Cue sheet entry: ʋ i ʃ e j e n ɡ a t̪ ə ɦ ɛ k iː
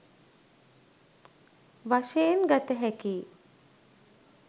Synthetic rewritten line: ʋ a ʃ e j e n ɡ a t̪ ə ɦ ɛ k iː

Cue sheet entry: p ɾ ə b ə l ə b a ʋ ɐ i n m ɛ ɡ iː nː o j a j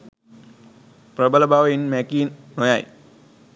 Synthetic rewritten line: p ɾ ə b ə l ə b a ʋ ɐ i n m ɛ k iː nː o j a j

